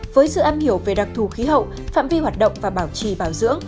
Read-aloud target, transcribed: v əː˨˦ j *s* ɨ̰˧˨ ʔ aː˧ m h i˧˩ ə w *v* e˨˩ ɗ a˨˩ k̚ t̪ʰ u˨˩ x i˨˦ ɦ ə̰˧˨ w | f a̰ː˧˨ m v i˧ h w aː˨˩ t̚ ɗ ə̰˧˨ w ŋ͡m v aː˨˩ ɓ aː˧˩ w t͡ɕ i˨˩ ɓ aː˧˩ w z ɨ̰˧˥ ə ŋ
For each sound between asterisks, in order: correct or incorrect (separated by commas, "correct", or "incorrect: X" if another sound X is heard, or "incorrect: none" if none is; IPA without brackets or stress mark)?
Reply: correct, correct